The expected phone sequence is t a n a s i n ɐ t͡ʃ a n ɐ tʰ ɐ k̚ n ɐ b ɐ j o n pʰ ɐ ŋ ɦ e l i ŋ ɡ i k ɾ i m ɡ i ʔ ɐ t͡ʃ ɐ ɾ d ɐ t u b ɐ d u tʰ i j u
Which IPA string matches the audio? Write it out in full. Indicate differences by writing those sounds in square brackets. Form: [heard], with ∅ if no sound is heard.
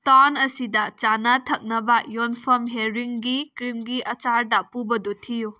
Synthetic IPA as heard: t a n [ɐ] s i [d] ɐ t͡ʃ a n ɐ tʰ ɐ k̚ n ɐ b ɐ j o n pʰ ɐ [m] ɦ e [ɾ] i ŋ ɡ i k ɾ i m ɡ i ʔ ɐ t͡ʃ [a] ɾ d ɐ [p] u b ɐ d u tʰ i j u